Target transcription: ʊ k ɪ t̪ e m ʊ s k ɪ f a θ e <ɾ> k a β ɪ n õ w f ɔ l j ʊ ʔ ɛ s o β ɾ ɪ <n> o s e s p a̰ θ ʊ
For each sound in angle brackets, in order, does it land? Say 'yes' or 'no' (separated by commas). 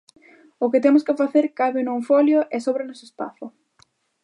yes, yes